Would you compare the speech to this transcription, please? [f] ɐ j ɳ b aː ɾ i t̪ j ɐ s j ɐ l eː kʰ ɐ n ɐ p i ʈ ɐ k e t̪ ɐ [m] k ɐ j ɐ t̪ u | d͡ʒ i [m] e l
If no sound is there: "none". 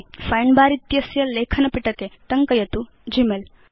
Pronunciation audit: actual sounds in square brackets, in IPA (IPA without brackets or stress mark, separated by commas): f, ŋ, m